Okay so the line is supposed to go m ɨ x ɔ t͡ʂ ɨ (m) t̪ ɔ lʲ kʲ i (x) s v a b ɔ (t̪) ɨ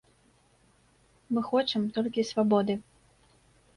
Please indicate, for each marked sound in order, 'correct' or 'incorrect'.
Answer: correct, incorrect, incorrect

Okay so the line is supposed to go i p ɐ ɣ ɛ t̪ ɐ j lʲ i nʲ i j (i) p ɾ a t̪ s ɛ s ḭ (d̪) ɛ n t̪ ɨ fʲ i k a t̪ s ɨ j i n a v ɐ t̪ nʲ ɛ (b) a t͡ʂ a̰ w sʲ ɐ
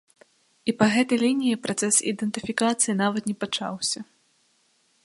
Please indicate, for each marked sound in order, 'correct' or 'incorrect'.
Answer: correct, correct, incorrect

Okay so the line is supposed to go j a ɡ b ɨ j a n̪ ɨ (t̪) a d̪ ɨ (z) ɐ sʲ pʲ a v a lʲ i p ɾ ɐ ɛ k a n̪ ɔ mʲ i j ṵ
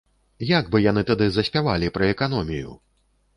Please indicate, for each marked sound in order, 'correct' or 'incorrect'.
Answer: correct, correct

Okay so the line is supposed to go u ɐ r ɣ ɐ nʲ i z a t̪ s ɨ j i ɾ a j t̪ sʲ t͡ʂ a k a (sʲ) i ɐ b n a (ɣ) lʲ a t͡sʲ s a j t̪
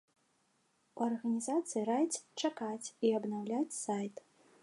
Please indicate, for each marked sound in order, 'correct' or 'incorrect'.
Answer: incorrect, incorrect

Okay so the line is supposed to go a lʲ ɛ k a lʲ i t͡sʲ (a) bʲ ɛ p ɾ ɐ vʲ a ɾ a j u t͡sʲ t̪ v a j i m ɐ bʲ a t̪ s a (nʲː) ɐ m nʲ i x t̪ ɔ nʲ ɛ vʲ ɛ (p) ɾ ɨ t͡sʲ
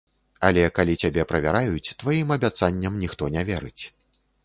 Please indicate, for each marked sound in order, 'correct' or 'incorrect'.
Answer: correct, correct, incorrect

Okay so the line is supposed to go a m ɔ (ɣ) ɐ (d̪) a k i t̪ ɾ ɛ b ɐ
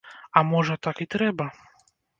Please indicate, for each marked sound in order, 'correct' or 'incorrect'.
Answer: incorrect, incorrect

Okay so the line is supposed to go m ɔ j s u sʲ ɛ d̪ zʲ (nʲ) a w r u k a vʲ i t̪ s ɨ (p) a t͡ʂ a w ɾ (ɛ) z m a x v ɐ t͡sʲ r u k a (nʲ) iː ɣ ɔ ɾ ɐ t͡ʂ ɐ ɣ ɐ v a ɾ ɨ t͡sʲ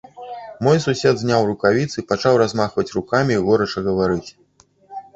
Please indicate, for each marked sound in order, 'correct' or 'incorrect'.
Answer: correct, correct, incorrect, incorrect

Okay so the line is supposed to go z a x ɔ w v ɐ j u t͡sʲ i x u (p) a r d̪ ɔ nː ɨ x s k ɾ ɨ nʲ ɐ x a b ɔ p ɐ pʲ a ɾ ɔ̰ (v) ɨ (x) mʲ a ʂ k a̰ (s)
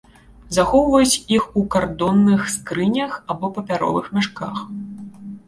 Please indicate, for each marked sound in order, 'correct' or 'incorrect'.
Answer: incorrect, correct, correct, incorrect

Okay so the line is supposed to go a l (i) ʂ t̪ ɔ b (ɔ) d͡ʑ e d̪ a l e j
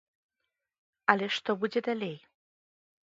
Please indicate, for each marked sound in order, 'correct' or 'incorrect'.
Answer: incorrect, incorrect

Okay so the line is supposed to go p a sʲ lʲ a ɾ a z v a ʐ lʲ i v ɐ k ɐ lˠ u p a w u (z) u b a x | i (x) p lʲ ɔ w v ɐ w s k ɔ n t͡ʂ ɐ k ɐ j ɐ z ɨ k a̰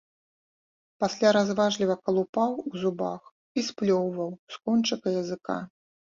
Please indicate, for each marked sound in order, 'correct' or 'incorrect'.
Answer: correct, incorrect

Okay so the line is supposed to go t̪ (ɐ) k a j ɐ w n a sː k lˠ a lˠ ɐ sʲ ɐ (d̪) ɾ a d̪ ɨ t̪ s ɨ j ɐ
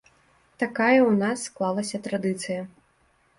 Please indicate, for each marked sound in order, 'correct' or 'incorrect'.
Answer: incorrect, incorrect

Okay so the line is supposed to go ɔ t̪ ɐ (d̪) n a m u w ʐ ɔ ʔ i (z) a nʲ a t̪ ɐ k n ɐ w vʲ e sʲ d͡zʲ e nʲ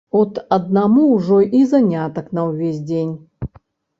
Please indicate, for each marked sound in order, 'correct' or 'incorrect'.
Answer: correct, correct

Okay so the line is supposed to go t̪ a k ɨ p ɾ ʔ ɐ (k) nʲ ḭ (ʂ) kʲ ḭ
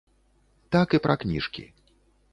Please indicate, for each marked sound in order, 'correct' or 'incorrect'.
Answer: correct, correct

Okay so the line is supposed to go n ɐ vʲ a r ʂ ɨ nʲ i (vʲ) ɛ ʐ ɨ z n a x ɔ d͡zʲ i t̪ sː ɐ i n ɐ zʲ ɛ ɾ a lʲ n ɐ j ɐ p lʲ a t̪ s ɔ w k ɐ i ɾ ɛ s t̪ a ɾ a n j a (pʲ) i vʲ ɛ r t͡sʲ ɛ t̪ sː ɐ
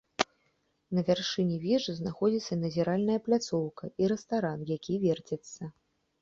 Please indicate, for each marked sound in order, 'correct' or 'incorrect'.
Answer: correct, incorrect

